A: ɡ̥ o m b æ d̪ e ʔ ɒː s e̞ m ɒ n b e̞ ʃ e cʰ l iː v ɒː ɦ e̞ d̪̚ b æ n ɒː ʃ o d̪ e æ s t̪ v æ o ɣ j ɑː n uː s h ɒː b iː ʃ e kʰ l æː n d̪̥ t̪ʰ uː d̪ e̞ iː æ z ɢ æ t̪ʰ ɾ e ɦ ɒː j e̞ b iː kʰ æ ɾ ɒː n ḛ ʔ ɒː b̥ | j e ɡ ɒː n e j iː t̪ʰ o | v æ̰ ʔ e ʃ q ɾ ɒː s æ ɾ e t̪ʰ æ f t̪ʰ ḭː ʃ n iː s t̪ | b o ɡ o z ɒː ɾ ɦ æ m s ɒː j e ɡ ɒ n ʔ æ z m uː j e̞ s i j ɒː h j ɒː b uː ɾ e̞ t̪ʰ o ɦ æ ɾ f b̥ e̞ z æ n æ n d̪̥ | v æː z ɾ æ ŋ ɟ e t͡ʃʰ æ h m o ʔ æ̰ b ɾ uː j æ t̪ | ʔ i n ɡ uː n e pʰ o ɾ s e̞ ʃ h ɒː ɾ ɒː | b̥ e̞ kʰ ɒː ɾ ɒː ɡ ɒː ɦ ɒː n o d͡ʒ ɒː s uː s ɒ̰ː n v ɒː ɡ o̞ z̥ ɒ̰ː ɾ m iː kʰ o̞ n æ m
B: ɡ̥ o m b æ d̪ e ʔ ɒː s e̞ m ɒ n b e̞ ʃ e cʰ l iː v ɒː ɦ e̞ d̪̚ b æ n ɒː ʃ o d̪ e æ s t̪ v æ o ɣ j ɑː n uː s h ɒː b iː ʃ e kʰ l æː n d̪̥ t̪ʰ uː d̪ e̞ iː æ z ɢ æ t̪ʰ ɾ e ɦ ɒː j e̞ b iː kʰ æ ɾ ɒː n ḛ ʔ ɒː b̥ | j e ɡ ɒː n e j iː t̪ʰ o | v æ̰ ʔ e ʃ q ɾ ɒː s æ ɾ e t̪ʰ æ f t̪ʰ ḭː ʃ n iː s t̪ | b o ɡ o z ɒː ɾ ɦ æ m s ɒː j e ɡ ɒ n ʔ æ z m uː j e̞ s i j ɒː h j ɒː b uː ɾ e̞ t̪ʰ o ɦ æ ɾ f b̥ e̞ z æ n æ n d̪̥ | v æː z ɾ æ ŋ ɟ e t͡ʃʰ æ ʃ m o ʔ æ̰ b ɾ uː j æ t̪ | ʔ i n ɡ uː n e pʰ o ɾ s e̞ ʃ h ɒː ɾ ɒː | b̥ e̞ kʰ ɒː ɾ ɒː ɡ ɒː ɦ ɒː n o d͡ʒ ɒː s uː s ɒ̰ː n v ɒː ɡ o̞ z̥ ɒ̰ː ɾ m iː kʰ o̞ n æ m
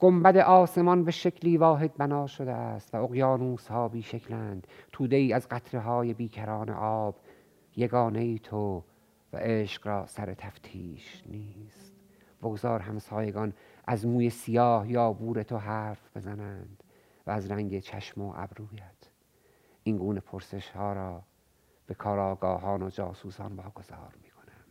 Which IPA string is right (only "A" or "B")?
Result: B